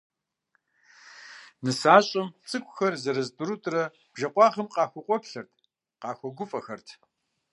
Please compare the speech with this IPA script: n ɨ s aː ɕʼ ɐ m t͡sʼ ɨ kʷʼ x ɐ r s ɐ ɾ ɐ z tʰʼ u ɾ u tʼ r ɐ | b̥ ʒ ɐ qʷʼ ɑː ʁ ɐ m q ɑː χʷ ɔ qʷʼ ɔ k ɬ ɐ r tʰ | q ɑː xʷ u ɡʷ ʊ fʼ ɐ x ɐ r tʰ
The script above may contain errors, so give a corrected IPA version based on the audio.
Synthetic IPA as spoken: n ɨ s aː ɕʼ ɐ m t͡sʼ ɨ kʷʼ x ɐ r z ɐ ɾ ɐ z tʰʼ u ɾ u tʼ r ɐ | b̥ ʒ ɐ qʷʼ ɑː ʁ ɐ m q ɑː xʷ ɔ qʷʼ ɔ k ɬ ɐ r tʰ | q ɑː xʷ ɔ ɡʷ ʊ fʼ ɐ x ɐ r tʰ